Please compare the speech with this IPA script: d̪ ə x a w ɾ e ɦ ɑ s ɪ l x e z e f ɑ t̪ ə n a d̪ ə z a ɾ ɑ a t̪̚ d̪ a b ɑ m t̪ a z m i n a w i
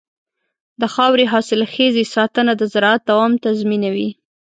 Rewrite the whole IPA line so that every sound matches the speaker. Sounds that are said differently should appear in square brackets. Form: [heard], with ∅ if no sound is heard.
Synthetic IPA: d̪ ə x [ɑ] w ɾ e ɦ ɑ s ɪ l x e z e [s] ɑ t̪ ə n a d̪ ə z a ɾ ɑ a t̪̚ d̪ a [w] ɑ m t̪ a z m i n a w i